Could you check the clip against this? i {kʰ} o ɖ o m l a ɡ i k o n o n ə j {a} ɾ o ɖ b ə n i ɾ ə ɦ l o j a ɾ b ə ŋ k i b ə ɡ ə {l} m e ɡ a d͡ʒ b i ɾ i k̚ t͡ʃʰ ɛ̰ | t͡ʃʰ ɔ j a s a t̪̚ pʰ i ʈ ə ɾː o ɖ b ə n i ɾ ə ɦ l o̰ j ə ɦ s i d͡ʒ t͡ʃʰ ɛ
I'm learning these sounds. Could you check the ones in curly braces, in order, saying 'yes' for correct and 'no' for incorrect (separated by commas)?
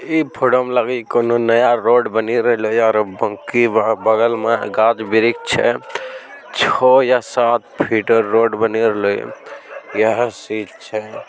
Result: no, yes, yes